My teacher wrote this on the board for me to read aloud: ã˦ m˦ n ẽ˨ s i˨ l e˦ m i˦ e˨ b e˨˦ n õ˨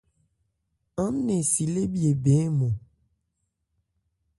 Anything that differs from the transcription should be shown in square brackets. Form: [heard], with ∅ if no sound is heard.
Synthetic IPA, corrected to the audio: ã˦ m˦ n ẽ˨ s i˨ l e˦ [b] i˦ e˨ b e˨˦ [m] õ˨